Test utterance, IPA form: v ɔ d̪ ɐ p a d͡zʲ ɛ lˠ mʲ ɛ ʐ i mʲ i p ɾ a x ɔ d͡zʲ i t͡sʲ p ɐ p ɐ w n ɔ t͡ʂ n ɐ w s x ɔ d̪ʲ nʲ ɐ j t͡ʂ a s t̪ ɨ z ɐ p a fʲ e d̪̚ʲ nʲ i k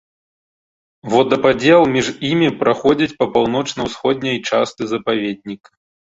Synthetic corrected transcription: v ɔ d̪ ɐ p a d͡zʲ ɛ lˠ mʲ i ʐ i mʲ i p ɾ a x ɔ d͡zʲ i t͡sʲ p ɐ p a w n ɔ t͡ʂ n ɐ w s x ɔ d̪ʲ nʲ ɐ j t͡ʂ a s t̪ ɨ z ɐ p a vʲ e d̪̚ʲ nʲ i k